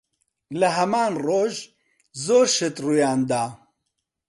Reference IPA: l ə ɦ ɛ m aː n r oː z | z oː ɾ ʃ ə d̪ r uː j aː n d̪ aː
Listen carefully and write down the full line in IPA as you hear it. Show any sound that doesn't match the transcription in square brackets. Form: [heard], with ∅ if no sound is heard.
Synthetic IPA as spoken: l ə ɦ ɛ m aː n r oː [ʒ] | z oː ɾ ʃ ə [t̪] r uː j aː n d̪ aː